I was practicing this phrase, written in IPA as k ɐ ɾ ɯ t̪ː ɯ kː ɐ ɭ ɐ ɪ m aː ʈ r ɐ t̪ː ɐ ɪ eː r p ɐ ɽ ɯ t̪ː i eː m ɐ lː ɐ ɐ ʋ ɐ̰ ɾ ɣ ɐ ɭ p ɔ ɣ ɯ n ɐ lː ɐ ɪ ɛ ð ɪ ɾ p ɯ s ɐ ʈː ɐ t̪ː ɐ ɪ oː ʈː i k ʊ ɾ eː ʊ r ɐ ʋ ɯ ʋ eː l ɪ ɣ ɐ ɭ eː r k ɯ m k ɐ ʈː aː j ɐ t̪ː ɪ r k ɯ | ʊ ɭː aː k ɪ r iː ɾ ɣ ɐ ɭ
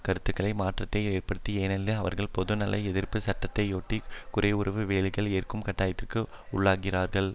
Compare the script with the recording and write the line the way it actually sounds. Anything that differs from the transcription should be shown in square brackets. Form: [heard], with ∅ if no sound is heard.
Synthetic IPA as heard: k ɐ ɾ ɯ t̪ː ɯ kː ɐ ɭ ɐ ɪ m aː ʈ r ɐ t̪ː ɐ ɪ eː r p ɐ ɽ ɯ t̪ː i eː [n] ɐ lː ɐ ɐ ʋ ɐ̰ ɾ ɣ ɐ ɭ p ɔ [ð] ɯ n ɐ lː ɐ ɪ ɛ ð ɪ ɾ p ɯ s ɐ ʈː ɐ t̪ː ɐ ɪ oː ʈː i k ʊ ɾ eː ʊ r ɐ ʋ ɯ ʋ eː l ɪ ɣ ɐ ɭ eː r k ɯ m k ɐ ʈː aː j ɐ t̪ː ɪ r k ɯ | ʊ ɭː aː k ɪ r [aː] ɾ ɣ ɐ ɭ